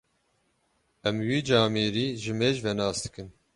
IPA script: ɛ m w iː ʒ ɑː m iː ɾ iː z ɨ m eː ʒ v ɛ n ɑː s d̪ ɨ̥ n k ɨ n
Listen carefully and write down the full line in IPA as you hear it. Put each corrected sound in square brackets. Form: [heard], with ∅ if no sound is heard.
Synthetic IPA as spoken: ɛ m w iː [d͡ʒ] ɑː m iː ɾ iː [ʒ] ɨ m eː ʒ v ɛ n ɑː s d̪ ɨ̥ [∅] k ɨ n